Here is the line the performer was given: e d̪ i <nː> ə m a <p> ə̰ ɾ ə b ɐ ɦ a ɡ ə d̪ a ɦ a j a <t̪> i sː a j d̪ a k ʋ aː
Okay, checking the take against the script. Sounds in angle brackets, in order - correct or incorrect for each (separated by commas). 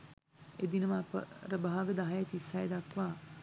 incorrect, correct, correct